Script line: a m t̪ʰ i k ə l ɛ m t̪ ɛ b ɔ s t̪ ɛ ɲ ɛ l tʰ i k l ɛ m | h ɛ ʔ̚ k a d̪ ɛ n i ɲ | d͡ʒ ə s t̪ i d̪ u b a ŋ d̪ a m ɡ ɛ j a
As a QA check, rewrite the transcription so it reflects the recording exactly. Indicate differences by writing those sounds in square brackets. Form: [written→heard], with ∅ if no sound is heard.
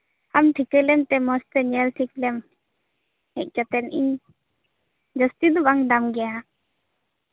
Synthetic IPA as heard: a m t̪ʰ i k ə l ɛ m t̪ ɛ [b→m] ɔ s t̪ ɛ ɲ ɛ l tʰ i k l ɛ m | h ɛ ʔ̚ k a [d̪→t̪] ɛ n i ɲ | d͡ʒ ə s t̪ i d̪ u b a ŋ d̪ a m ɡ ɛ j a